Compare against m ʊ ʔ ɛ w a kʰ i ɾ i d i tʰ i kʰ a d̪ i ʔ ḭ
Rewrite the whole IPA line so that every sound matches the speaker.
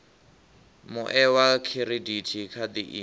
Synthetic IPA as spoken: m ʊ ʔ ɛ w a kʰ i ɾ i d i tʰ i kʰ a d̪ i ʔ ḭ